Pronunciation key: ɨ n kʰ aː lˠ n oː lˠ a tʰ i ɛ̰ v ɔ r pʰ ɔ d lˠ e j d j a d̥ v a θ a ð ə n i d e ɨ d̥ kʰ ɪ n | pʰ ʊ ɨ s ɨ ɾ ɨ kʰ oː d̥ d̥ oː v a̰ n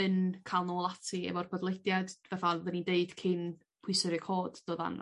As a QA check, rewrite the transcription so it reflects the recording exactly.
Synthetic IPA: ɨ n kʰ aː lˠ n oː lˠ a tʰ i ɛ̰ v ɔ r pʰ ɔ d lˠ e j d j a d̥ v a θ a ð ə n i d e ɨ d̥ kʰ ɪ n | pʰ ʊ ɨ s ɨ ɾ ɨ kʰ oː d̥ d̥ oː ð a̰ n